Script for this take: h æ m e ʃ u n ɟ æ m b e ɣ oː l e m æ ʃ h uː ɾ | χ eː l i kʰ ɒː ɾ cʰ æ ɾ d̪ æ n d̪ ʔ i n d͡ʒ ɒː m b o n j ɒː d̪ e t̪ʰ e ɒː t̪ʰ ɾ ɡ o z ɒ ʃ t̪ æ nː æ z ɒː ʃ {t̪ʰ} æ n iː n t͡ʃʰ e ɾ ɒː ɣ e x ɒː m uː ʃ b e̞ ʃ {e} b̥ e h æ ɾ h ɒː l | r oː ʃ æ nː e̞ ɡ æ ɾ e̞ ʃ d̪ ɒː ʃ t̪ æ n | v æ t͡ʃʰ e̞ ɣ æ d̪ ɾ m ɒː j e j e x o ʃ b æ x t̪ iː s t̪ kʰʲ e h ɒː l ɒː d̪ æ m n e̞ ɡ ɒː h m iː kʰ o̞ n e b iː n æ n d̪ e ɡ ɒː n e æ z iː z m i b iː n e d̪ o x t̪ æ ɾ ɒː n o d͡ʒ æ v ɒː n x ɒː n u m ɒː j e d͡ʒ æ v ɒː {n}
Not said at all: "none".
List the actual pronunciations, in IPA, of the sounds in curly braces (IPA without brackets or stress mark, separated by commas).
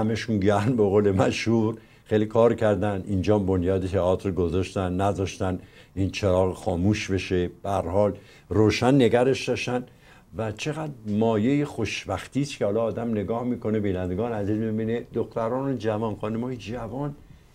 t̪, e, n